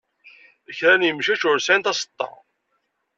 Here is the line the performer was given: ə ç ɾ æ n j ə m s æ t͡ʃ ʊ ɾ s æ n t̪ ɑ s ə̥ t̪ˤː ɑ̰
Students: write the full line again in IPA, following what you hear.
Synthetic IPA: ə ç ɾ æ n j ə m ʃ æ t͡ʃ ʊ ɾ s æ n t̪ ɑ s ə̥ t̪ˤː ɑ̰